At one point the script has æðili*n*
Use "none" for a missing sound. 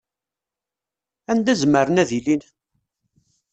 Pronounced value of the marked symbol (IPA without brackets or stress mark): n